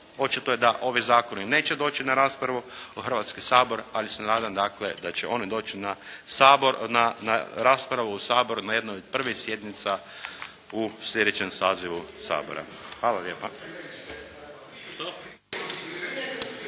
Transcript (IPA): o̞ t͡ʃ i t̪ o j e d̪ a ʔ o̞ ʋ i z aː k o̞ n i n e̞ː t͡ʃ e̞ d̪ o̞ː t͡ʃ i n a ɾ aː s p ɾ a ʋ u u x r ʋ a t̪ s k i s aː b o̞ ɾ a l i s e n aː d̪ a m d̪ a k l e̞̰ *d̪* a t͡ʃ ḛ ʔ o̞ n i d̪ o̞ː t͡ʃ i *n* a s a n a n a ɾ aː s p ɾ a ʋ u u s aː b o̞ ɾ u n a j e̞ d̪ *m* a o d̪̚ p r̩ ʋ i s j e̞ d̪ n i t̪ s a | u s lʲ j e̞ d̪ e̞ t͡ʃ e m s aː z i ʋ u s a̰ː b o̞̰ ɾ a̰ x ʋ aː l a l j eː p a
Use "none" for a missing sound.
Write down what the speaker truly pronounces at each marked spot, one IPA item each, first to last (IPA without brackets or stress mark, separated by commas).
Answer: d̪, n, n